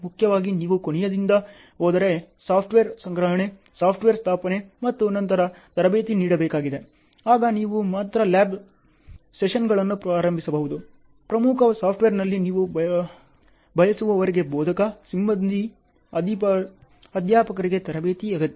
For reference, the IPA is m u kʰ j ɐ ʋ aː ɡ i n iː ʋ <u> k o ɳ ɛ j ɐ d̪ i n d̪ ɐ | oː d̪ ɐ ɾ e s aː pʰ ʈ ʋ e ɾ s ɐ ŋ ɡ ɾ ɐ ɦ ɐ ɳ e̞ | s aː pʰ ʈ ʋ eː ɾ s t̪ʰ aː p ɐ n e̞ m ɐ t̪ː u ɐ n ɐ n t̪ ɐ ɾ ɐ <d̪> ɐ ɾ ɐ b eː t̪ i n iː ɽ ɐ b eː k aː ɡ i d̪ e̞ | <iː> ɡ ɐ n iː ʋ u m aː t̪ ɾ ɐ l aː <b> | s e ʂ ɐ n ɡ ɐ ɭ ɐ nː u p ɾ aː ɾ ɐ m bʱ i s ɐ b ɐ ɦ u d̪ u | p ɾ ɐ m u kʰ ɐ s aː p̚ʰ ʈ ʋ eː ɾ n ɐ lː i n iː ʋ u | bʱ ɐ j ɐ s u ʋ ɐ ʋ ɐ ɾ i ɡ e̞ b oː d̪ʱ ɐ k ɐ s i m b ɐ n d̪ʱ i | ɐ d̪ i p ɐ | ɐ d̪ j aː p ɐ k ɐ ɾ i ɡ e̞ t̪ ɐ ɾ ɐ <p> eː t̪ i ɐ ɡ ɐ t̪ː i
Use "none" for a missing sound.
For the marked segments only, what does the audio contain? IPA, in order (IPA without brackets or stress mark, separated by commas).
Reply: u, t̪, aː, b, b